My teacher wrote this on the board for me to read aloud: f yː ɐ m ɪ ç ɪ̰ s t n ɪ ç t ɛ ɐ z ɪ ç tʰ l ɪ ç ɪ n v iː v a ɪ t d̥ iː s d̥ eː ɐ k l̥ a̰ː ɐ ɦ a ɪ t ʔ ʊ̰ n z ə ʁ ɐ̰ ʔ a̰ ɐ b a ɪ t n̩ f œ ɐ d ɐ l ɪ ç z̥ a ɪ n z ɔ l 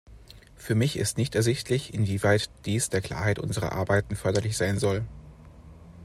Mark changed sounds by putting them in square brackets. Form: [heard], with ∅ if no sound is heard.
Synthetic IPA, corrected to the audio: f yː ɐ m ɪ ç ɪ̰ s t n ɪ ç t ɛ ɐ z ɪ ç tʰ l ɪ ç ɪ n v iː v a ɪ t d̥ iː s d̥ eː ɐ k l̥ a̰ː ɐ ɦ a ɪ t ʔ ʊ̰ n z ə ʁ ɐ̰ ʔ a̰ ɐ b a ɪ t n̩ f œ ɐ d ɐ l ɪ ç z̥ a ɪ n z ɔ l